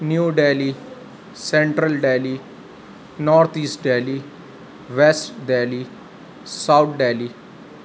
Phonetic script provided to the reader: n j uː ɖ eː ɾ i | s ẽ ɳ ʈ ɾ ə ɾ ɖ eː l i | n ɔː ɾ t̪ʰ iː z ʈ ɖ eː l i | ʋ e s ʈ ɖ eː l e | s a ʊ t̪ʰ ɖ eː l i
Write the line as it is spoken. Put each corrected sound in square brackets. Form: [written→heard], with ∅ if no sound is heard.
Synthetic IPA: n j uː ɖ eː [ɾ→l] i | s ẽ ɳ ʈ ɾ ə [ɾ→l] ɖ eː l i | n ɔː ɾ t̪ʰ iː [z→s] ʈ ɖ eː l i | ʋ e s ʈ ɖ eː l [e→i] | s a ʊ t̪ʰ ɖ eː l i